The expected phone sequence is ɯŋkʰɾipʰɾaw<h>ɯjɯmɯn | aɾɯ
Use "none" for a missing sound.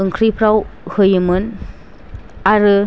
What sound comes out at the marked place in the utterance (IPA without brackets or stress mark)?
h